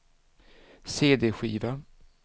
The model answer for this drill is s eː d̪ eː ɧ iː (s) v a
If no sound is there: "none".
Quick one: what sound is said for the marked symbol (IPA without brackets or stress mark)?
none